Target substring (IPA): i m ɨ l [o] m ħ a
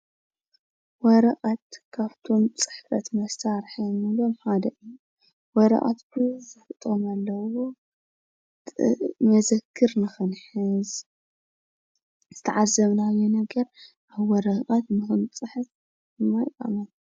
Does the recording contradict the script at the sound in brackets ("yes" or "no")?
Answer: no